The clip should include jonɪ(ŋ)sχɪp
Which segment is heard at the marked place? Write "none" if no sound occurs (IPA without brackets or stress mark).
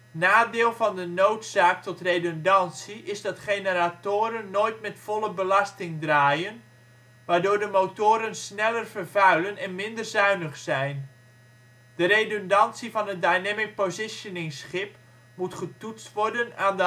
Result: ŋ